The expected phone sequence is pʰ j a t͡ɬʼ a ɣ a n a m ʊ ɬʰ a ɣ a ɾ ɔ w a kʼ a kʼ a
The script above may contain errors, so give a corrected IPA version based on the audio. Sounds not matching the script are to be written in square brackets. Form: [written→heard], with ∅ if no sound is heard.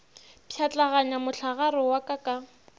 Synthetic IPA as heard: pʰ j a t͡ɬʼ a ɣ a [n→ɲ] a m ʊ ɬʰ a ɣ a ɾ ɔ w a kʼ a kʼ a